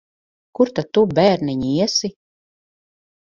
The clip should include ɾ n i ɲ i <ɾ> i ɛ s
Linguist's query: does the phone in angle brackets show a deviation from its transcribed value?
yes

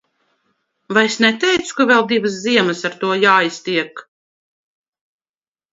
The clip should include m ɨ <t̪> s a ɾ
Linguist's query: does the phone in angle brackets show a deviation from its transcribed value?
yes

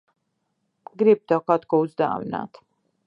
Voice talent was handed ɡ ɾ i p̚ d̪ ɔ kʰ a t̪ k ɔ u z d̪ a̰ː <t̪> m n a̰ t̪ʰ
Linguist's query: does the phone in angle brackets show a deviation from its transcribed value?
yes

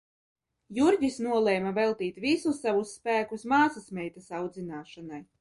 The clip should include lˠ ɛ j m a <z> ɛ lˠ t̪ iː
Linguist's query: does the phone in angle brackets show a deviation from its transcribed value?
yes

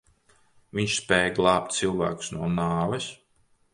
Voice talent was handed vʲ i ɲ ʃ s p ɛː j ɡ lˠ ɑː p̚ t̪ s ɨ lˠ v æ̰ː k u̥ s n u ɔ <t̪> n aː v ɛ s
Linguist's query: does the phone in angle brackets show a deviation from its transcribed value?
yes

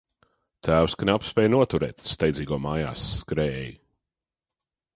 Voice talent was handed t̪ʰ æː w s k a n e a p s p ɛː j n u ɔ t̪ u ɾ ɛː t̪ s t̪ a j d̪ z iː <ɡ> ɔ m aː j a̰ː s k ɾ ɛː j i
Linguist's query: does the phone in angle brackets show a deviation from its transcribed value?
no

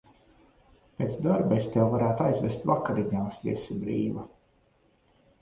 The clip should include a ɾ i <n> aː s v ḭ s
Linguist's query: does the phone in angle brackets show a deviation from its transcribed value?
yes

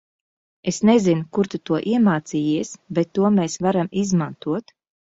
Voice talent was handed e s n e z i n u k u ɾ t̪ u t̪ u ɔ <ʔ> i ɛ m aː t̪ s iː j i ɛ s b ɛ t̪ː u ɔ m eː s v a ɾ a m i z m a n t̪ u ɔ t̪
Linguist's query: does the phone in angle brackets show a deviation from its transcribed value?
no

